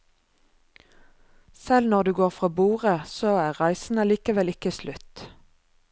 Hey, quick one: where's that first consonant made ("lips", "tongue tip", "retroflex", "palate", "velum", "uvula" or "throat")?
tongue tip